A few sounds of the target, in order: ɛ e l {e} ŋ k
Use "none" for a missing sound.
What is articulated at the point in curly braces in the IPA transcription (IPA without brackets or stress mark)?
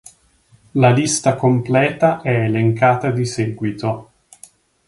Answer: e